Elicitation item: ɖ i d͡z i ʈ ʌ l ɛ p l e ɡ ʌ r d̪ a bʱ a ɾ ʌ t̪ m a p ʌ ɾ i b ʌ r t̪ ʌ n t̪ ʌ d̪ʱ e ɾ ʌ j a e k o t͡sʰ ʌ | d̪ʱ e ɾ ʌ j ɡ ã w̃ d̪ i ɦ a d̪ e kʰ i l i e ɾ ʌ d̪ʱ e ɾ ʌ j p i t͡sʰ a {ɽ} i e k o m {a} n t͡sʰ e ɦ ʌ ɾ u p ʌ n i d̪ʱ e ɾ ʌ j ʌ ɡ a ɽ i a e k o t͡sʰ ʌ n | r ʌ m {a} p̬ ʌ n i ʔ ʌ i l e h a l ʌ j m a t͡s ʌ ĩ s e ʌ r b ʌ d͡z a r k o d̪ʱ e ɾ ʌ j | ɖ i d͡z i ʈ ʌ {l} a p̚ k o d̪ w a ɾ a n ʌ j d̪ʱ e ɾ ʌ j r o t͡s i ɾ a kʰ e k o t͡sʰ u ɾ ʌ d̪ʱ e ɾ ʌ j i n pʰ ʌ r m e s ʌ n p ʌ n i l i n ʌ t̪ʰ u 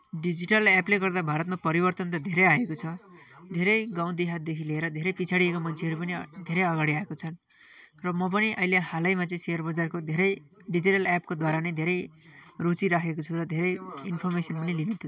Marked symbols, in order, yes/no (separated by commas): yes, no, no, yes